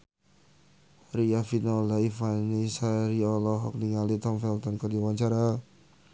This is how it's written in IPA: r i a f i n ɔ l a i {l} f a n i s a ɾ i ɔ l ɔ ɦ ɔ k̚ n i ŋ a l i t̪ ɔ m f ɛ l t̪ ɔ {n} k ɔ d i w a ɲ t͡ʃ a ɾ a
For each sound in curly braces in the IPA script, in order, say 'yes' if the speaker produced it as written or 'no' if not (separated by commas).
no, yes